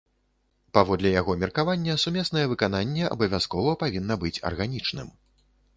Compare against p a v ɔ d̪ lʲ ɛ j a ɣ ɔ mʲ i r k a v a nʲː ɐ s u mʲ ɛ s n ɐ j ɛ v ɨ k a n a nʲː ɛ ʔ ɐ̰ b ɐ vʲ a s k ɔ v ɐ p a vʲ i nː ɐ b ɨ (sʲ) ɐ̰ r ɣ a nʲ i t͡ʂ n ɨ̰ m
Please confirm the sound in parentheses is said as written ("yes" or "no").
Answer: no